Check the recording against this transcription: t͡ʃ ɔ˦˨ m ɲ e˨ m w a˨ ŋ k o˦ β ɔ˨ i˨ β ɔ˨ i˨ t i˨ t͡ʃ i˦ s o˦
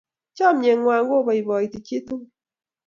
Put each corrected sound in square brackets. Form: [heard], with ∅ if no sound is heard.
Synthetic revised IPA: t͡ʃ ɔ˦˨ m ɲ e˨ [ŋ] w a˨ ŋ [ɡ] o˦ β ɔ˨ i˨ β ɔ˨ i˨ t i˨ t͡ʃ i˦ [t] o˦